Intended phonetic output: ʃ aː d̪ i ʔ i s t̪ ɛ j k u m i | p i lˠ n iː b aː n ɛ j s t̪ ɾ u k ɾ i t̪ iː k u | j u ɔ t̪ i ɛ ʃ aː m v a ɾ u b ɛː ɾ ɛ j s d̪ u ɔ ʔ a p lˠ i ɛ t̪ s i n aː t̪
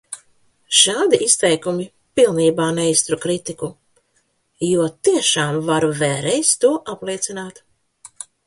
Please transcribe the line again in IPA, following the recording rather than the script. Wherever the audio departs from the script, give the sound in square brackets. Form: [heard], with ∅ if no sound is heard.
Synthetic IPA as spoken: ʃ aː d̪ i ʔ i s t̪ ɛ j k u m i | p i lˠ n iː b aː n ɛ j s t̪ ɾ u k ɾ i t̪ [i] k u | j u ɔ t̪ i ɛ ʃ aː m v a ɾ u [v] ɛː ɾ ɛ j s [t̪] u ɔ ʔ a p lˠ i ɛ t̪ s i n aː t̪